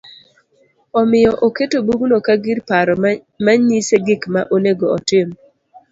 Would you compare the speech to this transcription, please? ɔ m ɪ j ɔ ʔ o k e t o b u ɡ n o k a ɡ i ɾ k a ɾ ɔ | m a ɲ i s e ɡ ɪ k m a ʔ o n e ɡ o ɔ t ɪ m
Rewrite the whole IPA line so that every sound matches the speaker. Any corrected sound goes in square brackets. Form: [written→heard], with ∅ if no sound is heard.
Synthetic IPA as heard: ɔ m ɪ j ɔ ʔ o k e t o b u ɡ n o k a ɡ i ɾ [k→p] a ɾ ɔ | m a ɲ i s e ɡ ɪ k m a ʔ o n e ɡ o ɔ t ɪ m